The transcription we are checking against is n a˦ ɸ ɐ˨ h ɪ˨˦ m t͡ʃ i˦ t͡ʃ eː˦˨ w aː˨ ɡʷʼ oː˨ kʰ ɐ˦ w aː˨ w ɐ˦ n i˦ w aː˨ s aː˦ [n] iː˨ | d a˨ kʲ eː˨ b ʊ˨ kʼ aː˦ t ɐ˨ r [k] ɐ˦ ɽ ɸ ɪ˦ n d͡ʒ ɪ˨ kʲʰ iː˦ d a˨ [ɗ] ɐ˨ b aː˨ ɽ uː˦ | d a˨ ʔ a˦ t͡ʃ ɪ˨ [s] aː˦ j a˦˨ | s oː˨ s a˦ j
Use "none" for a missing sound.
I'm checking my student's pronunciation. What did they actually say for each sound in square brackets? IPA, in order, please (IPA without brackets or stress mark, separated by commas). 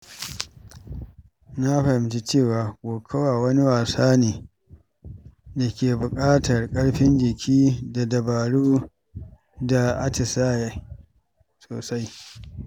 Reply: n, kʼ, d, s